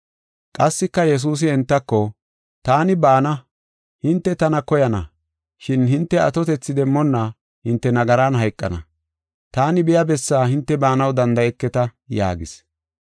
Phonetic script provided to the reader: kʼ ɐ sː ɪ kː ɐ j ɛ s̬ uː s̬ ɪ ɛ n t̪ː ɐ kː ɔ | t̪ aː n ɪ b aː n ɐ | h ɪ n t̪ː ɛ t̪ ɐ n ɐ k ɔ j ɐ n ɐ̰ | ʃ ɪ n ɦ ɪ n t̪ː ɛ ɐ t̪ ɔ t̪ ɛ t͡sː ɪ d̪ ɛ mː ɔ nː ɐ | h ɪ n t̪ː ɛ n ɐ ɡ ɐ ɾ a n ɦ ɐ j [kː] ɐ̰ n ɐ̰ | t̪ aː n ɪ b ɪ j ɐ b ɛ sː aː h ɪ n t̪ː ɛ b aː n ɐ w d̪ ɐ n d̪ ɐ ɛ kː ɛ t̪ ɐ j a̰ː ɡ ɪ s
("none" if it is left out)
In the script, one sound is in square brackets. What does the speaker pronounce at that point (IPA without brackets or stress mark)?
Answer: kʼː